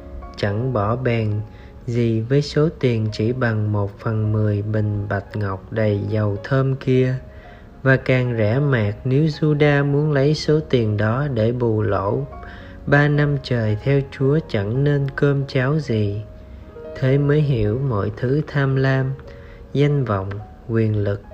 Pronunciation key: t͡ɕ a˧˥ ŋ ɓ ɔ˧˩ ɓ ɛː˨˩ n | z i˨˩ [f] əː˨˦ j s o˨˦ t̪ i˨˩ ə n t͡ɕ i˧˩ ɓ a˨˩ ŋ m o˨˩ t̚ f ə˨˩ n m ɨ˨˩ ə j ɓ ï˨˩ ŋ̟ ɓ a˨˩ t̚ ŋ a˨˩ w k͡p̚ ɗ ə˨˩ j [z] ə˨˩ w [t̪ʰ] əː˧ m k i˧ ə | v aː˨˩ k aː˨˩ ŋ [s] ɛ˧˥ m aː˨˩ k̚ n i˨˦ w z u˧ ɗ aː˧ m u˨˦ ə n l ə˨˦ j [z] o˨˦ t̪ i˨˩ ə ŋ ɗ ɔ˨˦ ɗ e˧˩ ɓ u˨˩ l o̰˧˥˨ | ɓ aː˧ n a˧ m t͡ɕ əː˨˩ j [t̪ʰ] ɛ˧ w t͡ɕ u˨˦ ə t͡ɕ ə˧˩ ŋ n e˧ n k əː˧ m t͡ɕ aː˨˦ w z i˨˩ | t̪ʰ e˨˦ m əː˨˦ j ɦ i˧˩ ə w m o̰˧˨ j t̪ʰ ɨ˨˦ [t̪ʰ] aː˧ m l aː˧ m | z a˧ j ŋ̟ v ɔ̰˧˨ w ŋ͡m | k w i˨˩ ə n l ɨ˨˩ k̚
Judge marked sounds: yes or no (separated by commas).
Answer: no, yes, yes, no, no, yes, yes